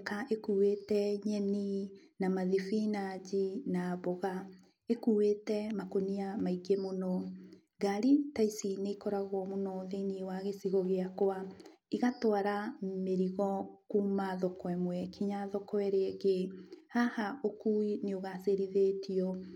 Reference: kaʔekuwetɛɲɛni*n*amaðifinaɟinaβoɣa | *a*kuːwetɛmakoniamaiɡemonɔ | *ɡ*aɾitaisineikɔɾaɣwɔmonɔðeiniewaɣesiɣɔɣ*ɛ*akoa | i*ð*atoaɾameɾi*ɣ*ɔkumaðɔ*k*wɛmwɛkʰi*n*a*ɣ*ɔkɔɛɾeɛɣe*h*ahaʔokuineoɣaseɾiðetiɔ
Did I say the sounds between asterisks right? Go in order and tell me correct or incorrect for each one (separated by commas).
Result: correct, incorrect, correct, incorrect, incorrect, correct, correct, incorrect, incorrect, correct